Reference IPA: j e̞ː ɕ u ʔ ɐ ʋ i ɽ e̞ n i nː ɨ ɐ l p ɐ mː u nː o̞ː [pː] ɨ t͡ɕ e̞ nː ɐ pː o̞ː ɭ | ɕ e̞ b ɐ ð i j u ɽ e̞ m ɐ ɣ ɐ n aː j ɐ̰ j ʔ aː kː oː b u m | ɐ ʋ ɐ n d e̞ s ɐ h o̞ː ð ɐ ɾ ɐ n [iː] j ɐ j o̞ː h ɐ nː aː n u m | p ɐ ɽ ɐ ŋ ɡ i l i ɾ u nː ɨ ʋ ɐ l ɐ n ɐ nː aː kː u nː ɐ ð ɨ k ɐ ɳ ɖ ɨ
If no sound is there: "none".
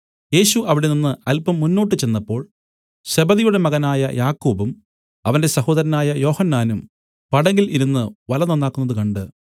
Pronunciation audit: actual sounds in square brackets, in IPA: ʈː, aː

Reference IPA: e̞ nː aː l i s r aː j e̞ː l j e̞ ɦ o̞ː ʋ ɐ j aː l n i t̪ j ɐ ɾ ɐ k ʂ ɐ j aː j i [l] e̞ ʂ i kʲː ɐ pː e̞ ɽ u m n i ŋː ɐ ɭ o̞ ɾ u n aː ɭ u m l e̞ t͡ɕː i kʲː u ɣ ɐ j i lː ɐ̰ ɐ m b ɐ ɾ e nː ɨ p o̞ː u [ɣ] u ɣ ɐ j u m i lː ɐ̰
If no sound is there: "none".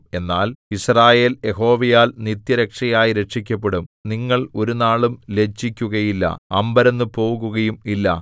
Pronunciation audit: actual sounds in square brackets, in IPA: ɾ, ɣ

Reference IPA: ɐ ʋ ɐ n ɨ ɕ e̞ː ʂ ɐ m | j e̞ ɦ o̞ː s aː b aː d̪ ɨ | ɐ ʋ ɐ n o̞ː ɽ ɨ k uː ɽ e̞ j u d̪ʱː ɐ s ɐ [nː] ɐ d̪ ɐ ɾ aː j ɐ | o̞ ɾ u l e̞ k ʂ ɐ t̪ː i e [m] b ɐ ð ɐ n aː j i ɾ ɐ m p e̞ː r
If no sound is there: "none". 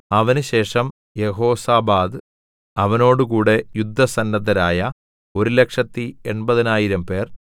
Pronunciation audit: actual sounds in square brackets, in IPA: nː, ɳ

